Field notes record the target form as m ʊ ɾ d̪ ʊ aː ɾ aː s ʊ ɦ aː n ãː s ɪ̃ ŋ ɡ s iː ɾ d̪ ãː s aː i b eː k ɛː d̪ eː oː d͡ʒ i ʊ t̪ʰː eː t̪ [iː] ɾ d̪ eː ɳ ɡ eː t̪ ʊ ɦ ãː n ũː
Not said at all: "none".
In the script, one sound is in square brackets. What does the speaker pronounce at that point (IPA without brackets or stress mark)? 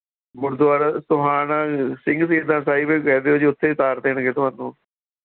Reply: aː